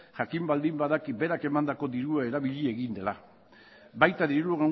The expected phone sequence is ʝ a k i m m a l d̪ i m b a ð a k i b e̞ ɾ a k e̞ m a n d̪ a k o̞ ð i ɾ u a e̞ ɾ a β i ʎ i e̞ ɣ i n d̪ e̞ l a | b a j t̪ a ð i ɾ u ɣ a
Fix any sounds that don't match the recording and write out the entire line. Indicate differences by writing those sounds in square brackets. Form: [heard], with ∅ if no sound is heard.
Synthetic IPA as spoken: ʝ a k i m [b] a l d̪ i m b a ð a k i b e̞ ɾ a k e̞ m a n d̪ a k o̞ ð i ɾ u a e̞ ɾ a β i ʎ i e̞ ɣ i n d̪ e̞ l a | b a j t̪ a ð i ɾ u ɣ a